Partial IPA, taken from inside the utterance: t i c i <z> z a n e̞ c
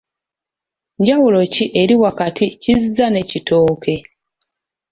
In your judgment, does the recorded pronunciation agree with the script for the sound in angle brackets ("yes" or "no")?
yes